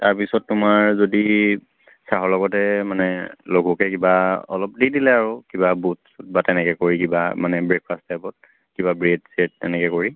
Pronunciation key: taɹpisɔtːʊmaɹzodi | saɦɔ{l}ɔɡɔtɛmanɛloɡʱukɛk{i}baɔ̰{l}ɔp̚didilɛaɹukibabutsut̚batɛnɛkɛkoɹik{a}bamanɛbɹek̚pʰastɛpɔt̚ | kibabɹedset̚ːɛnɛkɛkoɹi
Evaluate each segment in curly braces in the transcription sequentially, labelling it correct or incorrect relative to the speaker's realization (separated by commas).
correct, correct, correct, incorrect